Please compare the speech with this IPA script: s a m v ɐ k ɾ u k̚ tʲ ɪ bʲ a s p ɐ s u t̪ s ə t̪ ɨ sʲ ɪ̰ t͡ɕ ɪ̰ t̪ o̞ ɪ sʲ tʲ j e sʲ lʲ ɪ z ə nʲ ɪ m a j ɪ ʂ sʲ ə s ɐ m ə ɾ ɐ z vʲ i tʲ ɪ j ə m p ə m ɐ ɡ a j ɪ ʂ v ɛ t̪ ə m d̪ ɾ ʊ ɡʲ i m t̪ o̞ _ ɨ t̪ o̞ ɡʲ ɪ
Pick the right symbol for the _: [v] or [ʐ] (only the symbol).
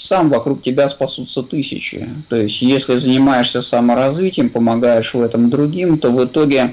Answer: v